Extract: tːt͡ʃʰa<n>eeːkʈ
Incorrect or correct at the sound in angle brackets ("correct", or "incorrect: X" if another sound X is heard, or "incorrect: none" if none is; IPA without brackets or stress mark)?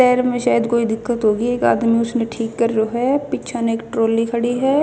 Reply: correct